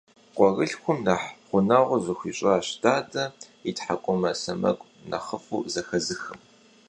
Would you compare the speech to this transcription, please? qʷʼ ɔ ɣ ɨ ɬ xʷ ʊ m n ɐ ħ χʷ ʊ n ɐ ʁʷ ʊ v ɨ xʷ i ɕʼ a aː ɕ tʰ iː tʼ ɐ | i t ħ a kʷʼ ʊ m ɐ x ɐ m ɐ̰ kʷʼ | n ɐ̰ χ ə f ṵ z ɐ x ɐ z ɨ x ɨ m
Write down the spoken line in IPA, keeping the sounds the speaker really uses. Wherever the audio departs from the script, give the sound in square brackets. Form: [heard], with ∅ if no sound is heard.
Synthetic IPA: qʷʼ ɔ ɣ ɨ ɬ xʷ ʊ m n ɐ ħ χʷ ʊ n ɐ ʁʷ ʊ [z] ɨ xʷ i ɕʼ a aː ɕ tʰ [aː] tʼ ɐ | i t ħ a kʷʼ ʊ m ɐ [s] ɐ m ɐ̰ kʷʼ | n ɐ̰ χ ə f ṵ z ɐ x ɐ z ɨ x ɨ m